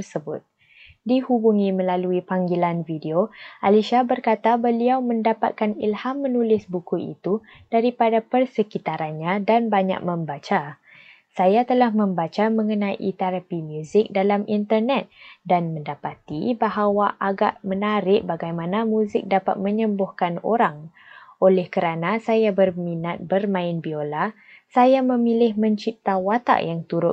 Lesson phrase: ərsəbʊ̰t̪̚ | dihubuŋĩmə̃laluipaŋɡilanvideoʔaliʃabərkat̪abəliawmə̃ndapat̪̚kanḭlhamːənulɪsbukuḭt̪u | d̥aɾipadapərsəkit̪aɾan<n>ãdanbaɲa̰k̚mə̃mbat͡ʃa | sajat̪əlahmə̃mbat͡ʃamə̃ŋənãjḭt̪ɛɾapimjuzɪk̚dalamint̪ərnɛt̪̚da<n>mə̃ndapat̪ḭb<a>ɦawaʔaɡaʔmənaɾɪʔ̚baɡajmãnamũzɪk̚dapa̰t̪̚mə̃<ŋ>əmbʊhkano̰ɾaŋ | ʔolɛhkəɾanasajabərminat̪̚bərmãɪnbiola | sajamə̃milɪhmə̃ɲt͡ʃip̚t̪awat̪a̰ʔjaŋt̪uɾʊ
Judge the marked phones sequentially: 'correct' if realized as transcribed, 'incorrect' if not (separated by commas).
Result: incorrect, correct, correct, incorrect